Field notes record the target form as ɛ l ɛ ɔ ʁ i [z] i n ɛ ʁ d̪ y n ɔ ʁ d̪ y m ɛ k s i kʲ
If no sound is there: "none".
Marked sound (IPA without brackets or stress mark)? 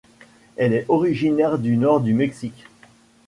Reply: ʒ